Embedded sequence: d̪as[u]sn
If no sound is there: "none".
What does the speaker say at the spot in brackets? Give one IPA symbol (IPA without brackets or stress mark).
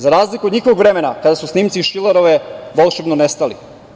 u